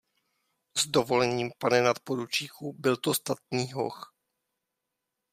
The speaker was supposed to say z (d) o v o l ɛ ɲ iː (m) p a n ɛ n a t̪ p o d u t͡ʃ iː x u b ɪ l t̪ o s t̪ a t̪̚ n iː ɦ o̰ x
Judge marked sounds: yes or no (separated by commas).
yes, yes